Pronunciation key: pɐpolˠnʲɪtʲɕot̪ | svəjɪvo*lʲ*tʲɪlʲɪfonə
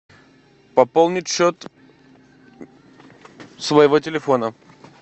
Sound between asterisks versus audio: incorrect: none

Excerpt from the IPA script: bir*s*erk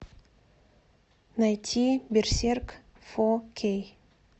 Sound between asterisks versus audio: correct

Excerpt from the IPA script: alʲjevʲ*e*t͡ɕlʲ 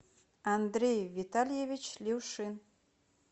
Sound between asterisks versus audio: incorrect: i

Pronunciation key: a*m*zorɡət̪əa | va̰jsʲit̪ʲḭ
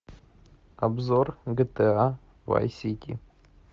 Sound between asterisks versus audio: incorrect: b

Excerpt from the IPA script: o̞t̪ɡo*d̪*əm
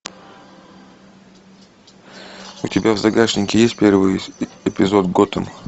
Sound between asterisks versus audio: incorrect: t̪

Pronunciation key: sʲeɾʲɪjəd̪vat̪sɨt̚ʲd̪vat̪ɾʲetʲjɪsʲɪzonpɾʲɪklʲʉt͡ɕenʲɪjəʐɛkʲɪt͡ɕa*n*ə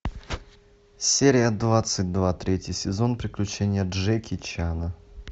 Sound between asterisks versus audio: correct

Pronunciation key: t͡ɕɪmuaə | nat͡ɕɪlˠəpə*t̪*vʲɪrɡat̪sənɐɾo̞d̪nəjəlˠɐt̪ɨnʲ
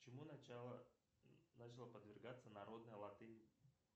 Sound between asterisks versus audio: incorrect: d̪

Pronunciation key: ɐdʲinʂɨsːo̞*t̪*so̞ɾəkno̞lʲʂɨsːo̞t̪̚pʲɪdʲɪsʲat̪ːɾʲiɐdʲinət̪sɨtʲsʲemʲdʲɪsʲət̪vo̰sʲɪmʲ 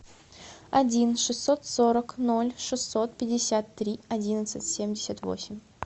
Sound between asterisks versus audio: correct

